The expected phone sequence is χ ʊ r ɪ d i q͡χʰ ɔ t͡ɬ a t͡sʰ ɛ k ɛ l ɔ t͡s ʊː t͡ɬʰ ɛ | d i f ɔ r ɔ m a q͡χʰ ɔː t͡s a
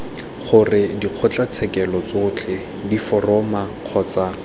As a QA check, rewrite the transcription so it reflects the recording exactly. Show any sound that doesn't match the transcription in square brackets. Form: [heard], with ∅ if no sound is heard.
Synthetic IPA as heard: χ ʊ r ɪ d i q͡χʰ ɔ t͡ɬ a t͡sʰ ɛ k ɛ l ɔ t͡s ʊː t͡ɬʰ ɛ | d i f ɔ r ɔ m a q͡χʰ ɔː t͡s a